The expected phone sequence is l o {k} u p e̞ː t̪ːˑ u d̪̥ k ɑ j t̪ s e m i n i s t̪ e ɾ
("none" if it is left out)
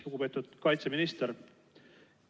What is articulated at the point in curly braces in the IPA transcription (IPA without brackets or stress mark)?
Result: ɡ